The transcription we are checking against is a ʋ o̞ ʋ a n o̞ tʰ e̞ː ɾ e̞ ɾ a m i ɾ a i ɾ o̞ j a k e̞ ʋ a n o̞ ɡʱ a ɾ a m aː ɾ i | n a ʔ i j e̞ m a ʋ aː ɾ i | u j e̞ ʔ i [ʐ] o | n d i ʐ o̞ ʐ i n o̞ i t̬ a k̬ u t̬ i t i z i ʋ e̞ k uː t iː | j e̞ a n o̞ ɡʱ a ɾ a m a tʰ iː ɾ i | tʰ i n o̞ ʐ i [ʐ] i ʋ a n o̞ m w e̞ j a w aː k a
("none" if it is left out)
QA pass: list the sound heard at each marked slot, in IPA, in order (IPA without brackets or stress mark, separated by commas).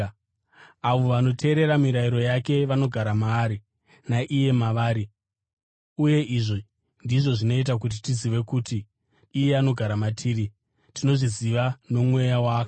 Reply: ʐ, z